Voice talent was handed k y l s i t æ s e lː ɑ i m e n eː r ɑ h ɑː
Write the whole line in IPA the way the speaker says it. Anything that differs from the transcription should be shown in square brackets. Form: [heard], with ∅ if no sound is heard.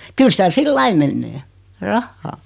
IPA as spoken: k y l s i t æ s [i] lː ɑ i m e [nː] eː r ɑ [hː] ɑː